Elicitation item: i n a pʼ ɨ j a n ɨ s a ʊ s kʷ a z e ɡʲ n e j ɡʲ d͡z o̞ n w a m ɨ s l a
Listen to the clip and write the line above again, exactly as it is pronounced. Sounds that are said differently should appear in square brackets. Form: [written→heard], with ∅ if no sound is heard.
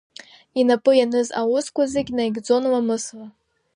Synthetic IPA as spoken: i n a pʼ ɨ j a n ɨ [s→z] a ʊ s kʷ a z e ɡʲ n [e→a] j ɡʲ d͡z o̞ n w a m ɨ s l a